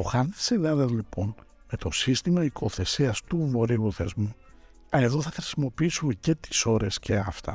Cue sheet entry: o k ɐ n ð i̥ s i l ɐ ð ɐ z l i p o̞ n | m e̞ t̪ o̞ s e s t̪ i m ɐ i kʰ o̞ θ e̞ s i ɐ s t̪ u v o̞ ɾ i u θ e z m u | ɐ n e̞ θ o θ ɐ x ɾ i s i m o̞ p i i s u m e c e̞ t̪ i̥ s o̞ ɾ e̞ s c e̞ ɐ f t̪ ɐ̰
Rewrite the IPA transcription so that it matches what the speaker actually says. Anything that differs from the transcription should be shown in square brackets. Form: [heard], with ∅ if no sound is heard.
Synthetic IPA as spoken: o [x] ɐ n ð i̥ s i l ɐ ð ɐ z l i p o̞ n | m e̞ t̪ o̞ s [i] s t̪ i m ɐ i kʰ o̞ θ e̞ s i ɐ s t̪ u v o̞ ɾ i u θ e z m u | ɐ n e̞ [ð] o θ ɐ x ɾ i s i m o̞ p i i s u m e c e̞ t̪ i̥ s o̞ ɾ e̞ s c e̞ ɐ f t̪ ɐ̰